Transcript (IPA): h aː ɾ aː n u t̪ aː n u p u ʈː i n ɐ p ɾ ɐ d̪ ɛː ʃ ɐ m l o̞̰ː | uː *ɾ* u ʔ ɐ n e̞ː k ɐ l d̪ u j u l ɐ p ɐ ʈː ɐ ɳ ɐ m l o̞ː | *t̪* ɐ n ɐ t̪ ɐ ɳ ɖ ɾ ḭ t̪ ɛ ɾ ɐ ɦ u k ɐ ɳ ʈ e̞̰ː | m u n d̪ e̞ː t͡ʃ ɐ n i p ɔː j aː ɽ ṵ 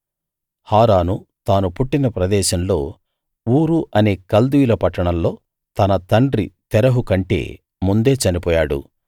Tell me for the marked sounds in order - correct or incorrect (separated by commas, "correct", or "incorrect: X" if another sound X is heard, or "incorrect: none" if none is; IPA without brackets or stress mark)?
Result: correct, correct